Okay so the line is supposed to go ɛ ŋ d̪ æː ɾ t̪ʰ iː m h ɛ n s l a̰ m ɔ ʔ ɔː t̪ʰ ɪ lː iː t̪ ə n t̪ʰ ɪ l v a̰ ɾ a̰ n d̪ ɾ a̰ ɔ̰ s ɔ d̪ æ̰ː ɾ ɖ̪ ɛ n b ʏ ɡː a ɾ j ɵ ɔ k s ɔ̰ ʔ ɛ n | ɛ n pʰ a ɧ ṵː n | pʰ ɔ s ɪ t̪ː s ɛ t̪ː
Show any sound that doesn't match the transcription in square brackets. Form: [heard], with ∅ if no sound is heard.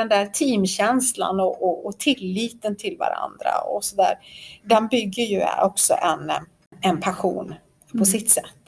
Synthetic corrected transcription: ɛ [n] d̪ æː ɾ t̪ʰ iː m [ɕ] ɛ n s l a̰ [n] ɔ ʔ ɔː t̪ʰ ɪ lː iː t̪ ə n t̪ʰ ɪ l v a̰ ɾ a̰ n d̪ ɾ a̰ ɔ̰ s ɔ d̪ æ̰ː ɾ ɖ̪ ɛ n b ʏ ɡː [ə] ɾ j ɵ ɔ k s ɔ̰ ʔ ɛ n | ɛ n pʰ a ɧ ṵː n | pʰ ɔ s ɪ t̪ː s ɛ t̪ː